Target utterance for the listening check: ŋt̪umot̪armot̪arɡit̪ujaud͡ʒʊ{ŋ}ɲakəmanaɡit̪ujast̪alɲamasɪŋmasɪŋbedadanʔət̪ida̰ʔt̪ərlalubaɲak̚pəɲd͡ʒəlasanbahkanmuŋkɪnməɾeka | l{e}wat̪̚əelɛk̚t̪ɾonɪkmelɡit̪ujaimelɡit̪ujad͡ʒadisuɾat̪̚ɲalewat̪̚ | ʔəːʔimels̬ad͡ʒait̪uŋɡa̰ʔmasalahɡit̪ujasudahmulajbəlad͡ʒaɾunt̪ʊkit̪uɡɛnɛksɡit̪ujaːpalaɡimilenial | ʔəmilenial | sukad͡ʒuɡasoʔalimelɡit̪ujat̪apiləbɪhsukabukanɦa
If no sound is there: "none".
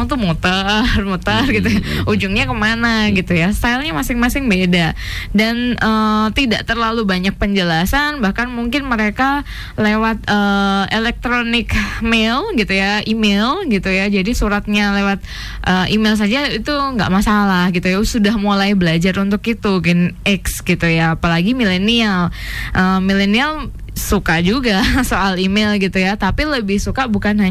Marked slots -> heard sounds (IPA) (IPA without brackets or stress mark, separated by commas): ŋ, e